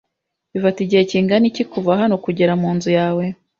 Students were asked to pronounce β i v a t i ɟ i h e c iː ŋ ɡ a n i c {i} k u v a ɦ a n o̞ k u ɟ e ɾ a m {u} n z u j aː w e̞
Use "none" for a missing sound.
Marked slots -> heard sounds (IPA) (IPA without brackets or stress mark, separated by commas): i, uː